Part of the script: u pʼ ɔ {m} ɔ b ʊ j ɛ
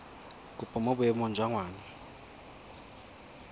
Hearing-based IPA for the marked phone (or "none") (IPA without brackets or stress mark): m